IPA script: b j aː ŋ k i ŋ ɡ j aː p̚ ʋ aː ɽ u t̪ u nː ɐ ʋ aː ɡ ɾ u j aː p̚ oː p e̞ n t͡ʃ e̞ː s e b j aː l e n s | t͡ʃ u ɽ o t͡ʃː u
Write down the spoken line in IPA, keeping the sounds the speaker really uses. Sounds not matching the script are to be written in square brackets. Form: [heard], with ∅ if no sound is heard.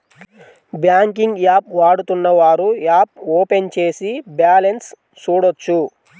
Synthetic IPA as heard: b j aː ŋ k i ŋ ɡ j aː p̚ ʋ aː ɽ u t̪ u nː ɐ ʋ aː [∅] ɾ u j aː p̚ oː p e̞ n t͡ʃ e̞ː s [i] b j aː l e n s | t͡ʃ [uː] ɽ o t͡ʃː u